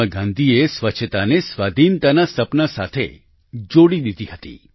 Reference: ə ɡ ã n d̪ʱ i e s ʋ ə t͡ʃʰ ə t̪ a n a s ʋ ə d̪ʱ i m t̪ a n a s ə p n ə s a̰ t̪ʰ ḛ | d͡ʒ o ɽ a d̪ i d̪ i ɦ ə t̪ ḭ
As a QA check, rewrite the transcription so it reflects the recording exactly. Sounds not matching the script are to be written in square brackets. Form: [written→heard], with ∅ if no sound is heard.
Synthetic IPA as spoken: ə ɡ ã n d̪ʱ i e s ʋ ə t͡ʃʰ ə t̪ a n [a→e] s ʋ [ə→a] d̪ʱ i [m→n] t̪ a n a s ə p n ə s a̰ t̪ʰ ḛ | d͡ʒ o ɽ [a→i] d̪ i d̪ i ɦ ə t̪ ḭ

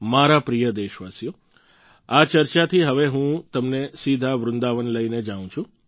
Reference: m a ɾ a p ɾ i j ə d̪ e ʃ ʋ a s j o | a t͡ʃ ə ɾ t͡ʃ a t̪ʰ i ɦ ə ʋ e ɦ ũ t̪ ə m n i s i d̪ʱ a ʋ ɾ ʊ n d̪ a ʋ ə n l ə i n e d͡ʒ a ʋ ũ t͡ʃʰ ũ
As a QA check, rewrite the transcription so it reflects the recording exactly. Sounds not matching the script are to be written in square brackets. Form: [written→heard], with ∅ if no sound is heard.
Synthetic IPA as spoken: m a ɾ a p ɾ i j ə d̪ e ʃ ʋ a s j o | a t͡ʃ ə ɾ t͡ʃ a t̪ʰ i ɦ ə ʋ e ɦ ũ t̪ ə m n [i→e] s i d̪ʱ a ʋ ɾ ʊ n d̪ a ʋ ə n l ə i n e d͡ʒ a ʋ ũ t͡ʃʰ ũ

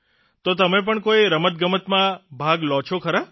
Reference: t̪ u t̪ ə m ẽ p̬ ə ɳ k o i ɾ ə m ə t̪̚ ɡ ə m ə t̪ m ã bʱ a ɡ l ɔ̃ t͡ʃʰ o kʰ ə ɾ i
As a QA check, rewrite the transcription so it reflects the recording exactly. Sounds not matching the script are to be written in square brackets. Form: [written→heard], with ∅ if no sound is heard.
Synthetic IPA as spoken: t̪ [u→o] t̪ ə m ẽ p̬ ə ɳ k o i ɾ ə m ə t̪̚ ɡ ə m ə t̪ m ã bʱ a ɡ l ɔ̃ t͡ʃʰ o kʰ ə ɾ [i→a]

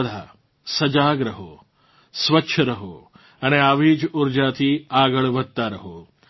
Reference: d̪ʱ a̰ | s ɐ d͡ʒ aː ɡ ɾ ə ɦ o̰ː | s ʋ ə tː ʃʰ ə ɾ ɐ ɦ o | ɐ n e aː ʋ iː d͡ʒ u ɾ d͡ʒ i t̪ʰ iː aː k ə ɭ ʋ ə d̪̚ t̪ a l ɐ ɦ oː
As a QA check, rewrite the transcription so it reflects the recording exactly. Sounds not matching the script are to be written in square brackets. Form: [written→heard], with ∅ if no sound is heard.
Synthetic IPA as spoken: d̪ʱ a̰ | s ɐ d͡ʒ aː ɡ ɾ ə ɦ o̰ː | s ʋ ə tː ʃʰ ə ɾ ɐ ɦ o | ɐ n e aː ʋ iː d͡ʒ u ɾ d͡ʒ [i→a] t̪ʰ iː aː [k→ɡ] ə ɭ ʋ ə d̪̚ t̪ a [l→ɾ] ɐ ɦ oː

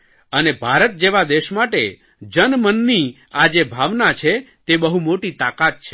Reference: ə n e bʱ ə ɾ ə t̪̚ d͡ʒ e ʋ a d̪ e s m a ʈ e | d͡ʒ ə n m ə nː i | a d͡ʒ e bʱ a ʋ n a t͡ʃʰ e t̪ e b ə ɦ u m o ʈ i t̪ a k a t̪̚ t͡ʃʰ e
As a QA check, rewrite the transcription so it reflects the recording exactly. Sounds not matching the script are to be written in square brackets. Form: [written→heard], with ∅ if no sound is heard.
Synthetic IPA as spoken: ə n e bʱ [ə→a] ɾ ə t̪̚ d͡ʒ e ʋ a d̪ e [s→ʃ] m a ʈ e | d͡ʒ ə n m ə nː i | a d͡ʒ e bʱ a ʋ n a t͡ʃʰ e t̪ e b ə ɦ u m o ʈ i t̪ a k a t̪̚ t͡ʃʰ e

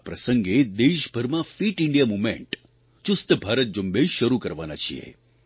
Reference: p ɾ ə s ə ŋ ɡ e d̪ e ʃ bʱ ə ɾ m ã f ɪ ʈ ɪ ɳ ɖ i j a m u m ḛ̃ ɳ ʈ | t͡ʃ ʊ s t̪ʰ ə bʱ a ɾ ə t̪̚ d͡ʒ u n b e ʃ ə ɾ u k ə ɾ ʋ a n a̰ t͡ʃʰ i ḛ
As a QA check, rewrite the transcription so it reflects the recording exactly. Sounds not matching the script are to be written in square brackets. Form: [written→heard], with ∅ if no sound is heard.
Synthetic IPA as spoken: p ɾ ə s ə ŋ ɡ e d̪ e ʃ bʱ ə ɾ m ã f [ɪ→i] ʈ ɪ ɳ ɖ i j a m u m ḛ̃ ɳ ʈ | t͡ʃ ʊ s [t̪ʰ→t̪] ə bʱ a ɾ ə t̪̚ d͡ʒ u [n→m] b e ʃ ə ɾ u k ə ɾ ʋ a n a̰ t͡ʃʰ i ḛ

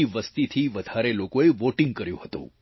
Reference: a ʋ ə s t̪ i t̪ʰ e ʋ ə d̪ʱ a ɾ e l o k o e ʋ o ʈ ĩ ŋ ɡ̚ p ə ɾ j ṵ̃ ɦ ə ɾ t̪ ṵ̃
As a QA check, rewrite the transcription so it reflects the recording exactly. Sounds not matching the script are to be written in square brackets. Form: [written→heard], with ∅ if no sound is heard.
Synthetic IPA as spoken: [a→i] ʋ ə s t̪ i t̪ʰ [e→i] ʋ ə d̪ʱ a ɾ e l o k o e ʋ o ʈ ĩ ŋ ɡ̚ [p→k] ə ɾ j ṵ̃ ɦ ə [ɾ→∅] t̪ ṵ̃

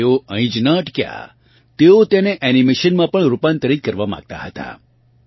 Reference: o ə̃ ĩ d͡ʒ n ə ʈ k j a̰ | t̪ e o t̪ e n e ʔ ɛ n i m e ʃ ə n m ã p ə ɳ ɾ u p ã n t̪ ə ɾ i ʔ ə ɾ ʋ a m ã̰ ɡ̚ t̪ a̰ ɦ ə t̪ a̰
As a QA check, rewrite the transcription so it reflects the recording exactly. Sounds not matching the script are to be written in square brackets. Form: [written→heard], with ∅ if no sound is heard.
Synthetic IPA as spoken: o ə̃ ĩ d͡ʒ n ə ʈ k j a̰ | t̪ e o t̪ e n e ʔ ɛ n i m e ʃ ə n m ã p ə ɳ ɾ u p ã n t̪ ə ɾ i [ʔ→k] ə ɾ ʋ a m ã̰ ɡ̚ t̪ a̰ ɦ ə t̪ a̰

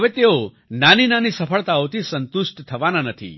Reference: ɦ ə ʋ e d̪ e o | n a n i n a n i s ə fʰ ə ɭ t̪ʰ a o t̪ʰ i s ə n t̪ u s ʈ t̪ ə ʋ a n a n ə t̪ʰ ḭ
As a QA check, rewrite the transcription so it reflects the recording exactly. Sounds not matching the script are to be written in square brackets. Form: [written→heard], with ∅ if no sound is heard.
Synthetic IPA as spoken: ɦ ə ʋ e [d̪→t̪] e o | n a n i n a n i s ə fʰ ə ɭ [t̪ʰ→t̪] a o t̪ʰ i s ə n t̪ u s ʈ [t̪→t̪ʰ] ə ʋ a n a n ə t̪ʰ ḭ

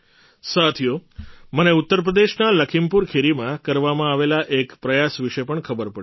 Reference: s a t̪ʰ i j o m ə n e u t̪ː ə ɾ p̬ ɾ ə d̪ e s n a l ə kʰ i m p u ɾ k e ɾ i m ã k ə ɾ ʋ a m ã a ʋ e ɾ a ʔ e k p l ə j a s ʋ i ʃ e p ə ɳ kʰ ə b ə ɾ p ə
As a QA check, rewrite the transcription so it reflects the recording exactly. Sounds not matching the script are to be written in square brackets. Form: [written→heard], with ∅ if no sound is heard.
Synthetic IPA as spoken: s a t̪ʰ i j o m ə n e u t̪ː ə ɾ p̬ ɾ ə d̪ e [s→ʃ] n a l ə kʰ i m p u ɾ [k→kʰ] e ɾ i m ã k ə ɾ ʋ a m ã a ʋ e [ɾ→l] a ʔ e k p [l→ɾ] ə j a s ʋ i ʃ e p ə ɳ kʰ ə b ə ɾ p ə

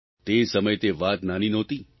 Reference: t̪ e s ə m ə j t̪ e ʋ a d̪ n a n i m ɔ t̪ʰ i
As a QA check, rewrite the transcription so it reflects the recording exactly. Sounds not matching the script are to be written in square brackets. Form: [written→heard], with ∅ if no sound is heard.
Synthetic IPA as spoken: t̪ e s ə m ə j t̪ e ʋ a [d̪→t̪] n a n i [m→n] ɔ [t̪ʰ→t̪] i

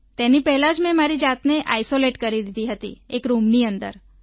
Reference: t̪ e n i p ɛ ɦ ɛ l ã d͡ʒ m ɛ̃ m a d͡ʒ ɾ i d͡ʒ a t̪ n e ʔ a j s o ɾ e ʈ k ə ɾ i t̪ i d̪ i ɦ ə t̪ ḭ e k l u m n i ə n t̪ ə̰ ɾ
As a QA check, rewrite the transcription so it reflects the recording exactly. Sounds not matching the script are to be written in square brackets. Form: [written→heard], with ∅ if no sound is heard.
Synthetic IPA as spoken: t̪ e n i p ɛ ɦ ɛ l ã d͡ʒ m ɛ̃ m a [d͡ʒ→∅] ɾ i d͡ʒ a t̪ n e ʔ a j s o [ɾ→l] e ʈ k ə ɾ i [t̪→d̪] i d̪ i ɦ ə t̪ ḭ e k [l→ɾ] u m n i ə n [t̪→d̪] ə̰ ɾ

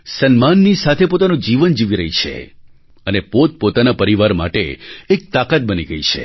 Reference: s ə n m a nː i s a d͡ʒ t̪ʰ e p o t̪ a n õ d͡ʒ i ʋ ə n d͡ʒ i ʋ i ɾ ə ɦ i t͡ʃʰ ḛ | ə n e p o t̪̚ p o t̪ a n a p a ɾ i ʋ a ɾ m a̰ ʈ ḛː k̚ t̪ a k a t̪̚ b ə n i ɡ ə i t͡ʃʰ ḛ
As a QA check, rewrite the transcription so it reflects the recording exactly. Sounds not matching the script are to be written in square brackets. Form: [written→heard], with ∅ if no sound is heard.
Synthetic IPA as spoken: s ə n m a nː i s a [d͡ʒ→∅] t̪ʰ e p o t̪ a n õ d͡ʒ i ʋ ə n d͡ʒ i ʋ i ɾ ə ɦ i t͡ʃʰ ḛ | ə n e p o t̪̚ p o t̪ a n a p [a→ə] ɾ i ʋ a ɾ m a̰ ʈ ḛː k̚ t̪ a k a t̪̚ b ə n i ɡ ə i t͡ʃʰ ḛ

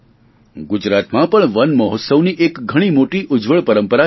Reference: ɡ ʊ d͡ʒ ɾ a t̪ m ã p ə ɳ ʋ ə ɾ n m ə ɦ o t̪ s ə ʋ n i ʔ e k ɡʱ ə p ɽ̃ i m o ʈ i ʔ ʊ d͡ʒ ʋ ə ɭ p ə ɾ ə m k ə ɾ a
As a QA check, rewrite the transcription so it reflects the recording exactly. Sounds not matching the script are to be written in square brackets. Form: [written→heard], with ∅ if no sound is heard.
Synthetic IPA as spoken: ɡ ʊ d͡ʒ ɾ a t̪ m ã p ə ɳ ʋ ə [ɾ→∅] n m ə ɦ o t̪ s ə ʋ n i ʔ e k ɡʱ ə [p→∅] ɽ̃ i m o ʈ i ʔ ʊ d͡ʒ ʋ ə ɭ p ə ɾ ə m [k→p] ə ɾ a

